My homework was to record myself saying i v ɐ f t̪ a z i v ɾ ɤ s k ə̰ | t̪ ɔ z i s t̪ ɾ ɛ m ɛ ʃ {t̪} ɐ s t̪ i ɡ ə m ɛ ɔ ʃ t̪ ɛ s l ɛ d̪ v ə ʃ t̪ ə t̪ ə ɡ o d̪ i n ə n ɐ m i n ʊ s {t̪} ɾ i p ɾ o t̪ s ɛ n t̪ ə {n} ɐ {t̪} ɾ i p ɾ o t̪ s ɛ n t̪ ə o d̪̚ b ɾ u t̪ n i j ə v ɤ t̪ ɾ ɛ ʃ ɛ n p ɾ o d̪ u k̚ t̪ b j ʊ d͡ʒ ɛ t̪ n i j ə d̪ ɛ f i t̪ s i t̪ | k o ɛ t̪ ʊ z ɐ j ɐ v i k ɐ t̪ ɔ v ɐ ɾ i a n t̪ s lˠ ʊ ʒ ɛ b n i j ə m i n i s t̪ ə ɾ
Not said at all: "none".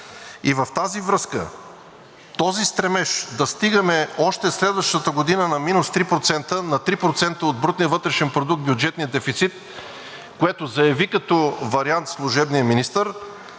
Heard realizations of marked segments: d̪, t̪, n, t̪

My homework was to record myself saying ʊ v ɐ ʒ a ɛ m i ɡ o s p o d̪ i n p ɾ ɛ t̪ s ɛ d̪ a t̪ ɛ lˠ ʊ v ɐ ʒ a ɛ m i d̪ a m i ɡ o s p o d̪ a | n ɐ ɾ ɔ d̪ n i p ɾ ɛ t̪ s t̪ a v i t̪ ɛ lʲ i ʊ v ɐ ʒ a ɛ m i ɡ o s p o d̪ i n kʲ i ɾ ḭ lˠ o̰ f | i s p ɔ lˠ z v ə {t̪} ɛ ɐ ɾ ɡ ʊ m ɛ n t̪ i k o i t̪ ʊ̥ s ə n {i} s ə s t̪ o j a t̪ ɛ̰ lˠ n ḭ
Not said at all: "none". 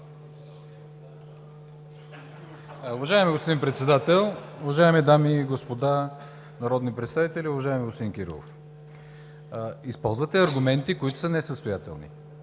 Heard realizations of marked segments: t̪, ɛ

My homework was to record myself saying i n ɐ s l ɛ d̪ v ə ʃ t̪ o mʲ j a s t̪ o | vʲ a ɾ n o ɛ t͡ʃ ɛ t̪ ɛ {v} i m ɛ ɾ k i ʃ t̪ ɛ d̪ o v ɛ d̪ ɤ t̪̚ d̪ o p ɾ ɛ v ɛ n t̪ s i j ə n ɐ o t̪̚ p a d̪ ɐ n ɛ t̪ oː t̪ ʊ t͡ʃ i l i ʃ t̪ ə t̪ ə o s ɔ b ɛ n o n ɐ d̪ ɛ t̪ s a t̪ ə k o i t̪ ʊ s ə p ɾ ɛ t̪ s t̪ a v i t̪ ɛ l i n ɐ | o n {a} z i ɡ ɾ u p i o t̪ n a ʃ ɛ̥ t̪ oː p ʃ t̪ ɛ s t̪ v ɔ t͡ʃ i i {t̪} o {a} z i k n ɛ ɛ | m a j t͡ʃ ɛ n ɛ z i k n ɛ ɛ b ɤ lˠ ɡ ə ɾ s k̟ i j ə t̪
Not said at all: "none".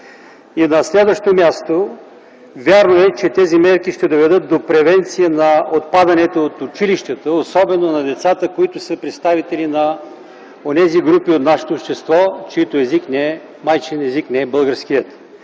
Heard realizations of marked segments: z, ɛ, t̪, ɛ

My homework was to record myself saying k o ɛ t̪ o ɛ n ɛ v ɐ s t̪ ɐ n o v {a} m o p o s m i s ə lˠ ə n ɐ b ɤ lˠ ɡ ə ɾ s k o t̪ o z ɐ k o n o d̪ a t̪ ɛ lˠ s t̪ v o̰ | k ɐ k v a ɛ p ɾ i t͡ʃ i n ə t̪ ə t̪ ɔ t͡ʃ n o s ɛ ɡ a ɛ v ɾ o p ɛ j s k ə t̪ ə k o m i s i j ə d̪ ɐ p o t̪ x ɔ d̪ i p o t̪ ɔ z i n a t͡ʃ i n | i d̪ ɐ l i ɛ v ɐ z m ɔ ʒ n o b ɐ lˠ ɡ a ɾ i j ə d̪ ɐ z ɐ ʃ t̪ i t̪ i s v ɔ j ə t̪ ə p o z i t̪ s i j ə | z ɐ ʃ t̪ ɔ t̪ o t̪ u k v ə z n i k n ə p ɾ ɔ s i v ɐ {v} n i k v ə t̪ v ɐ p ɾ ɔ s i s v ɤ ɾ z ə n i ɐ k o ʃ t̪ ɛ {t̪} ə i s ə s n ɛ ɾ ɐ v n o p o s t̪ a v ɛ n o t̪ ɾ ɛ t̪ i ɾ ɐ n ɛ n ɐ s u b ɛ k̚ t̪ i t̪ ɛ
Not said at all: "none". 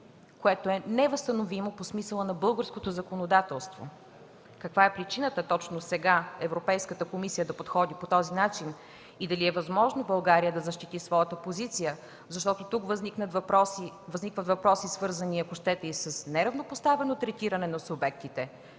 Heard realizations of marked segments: i, z, t̪

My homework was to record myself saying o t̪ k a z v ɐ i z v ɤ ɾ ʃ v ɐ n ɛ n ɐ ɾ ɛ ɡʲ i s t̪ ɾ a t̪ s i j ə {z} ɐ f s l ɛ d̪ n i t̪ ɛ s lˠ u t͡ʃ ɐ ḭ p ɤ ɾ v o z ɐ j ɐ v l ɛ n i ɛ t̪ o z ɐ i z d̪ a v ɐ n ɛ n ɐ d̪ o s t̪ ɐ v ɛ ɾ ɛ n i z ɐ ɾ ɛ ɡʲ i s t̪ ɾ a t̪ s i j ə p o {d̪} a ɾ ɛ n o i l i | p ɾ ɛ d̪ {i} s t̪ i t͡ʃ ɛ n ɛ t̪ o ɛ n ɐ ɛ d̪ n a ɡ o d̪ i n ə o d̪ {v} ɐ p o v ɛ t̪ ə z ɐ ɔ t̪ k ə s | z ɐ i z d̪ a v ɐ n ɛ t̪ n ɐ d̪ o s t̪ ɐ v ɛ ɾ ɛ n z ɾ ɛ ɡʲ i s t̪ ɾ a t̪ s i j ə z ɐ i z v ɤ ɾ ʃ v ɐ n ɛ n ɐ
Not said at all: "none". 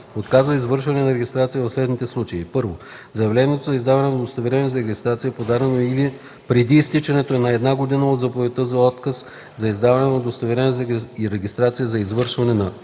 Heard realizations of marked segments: v, d̪, iː, z

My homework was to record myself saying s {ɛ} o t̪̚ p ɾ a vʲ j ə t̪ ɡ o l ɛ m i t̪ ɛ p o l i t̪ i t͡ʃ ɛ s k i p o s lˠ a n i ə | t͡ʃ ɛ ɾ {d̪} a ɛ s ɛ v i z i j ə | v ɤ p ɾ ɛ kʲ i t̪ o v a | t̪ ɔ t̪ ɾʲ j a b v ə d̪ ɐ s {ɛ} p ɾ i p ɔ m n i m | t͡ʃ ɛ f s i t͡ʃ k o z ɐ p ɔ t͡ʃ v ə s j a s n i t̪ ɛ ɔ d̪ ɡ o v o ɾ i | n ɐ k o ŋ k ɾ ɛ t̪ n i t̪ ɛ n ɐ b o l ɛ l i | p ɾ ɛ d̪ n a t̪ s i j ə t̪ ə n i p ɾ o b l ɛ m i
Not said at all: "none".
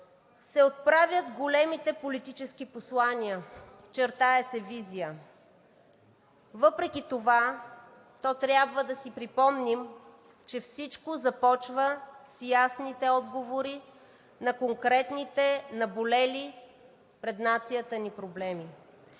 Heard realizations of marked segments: ɛ, t̪, i

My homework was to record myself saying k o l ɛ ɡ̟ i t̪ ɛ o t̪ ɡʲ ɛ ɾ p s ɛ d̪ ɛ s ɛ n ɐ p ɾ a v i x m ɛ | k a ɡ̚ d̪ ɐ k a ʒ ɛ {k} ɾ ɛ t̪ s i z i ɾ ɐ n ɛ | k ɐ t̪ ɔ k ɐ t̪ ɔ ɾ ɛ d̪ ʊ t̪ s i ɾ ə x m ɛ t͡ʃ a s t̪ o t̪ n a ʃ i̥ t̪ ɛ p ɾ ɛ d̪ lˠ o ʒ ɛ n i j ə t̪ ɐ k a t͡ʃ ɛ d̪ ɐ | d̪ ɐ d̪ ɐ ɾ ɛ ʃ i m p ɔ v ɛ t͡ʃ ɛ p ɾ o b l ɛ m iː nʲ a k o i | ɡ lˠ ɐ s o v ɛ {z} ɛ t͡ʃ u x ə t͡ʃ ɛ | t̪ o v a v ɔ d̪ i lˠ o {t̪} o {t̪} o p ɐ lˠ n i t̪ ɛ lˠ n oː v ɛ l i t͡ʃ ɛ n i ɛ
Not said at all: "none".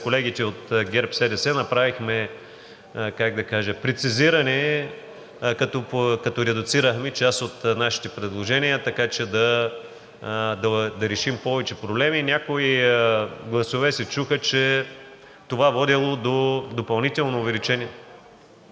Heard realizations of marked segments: p, s, d̪, d̪

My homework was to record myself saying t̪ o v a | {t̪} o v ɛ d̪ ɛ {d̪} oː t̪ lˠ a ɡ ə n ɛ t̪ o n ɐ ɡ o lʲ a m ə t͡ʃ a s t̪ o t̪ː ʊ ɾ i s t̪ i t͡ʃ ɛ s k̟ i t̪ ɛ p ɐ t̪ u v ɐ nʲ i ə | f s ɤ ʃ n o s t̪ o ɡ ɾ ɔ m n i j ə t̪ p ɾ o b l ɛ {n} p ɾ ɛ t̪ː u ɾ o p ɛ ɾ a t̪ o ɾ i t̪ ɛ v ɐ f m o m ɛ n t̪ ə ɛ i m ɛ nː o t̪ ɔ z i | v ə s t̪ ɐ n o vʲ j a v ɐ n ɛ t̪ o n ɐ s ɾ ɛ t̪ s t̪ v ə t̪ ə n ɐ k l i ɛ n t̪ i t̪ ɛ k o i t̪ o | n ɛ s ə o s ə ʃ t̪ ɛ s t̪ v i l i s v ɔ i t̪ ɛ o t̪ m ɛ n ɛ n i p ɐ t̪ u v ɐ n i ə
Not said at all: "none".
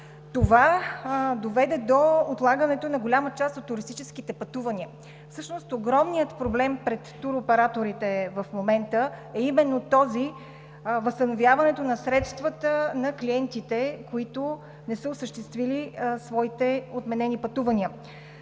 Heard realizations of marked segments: d̪, d̪, m

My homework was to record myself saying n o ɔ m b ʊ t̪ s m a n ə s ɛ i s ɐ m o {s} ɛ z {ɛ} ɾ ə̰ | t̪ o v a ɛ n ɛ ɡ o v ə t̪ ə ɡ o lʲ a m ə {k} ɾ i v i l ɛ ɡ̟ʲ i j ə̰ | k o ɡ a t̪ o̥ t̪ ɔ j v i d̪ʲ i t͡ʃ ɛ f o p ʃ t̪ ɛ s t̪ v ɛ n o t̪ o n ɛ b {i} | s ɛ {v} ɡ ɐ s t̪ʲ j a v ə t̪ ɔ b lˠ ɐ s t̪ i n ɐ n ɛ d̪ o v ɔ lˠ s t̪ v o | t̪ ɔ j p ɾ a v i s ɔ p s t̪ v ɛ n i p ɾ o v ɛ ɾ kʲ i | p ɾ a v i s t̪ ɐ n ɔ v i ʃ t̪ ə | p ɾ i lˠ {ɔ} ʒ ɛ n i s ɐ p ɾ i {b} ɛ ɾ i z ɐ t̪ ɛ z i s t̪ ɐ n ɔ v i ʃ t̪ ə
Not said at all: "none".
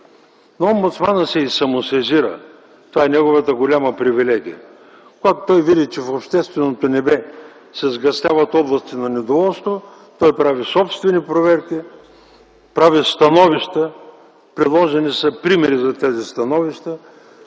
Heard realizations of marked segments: s, i, p, ɛ, z, ɔ, m

